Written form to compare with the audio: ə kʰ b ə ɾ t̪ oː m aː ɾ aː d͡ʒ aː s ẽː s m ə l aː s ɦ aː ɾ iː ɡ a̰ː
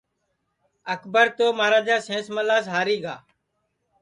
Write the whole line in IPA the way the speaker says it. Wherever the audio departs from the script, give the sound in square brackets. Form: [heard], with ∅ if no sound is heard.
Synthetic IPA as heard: ə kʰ b ə ɾ t̪ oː m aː ɾ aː d͡ʒ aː s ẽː s m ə l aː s ɦ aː ɾ iː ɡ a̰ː